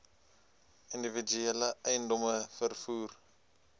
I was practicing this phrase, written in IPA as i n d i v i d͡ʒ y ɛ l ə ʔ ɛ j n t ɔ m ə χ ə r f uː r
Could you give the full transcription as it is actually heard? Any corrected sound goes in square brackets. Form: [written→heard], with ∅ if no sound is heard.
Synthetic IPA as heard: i n d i v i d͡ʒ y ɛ l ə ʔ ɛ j n [t→d] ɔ m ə [χ→f] ə r f uː r